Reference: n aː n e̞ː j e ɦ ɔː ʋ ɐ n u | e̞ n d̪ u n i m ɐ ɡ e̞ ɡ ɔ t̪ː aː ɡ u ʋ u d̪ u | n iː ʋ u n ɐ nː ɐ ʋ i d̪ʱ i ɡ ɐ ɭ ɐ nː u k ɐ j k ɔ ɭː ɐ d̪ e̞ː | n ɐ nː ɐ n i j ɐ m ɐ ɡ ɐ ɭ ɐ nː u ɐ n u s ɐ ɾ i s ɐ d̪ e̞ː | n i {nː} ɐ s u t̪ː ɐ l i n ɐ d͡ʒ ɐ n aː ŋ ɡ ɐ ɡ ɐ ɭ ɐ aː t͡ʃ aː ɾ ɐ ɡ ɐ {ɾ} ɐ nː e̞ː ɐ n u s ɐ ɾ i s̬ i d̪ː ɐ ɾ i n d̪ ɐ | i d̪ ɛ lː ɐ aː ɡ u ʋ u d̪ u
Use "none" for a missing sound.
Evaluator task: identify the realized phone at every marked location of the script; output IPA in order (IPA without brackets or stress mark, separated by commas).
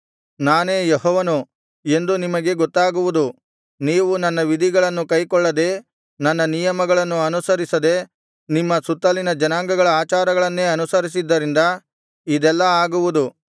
mː, ɭ